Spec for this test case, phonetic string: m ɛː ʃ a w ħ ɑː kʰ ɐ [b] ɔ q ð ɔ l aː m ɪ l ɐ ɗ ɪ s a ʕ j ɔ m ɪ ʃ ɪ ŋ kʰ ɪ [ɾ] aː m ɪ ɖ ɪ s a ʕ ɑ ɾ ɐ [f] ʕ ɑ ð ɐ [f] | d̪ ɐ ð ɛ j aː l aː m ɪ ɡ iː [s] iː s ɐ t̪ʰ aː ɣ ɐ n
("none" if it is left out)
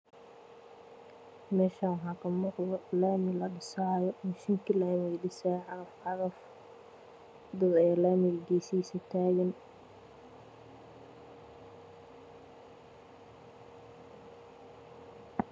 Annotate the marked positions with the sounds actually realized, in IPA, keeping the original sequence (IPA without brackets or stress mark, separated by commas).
m, l, f, f, s